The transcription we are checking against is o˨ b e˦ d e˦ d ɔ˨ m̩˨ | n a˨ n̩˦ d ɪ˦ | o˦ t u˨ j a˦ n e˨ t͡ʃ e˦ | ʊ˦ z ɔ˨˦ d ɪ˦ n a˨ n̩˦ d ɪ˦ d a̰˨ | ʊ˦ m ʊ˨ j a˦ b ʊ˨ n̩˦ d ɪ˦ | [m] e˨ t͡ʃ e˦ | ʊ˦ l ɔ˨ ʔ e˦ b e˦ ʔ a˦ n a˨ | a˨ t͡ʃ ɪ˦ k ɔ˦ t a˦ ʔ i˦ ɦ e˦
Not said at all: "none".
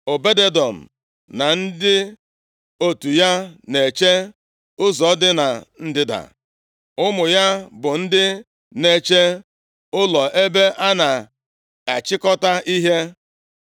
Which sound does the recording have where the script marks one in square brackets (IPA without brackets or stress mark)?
n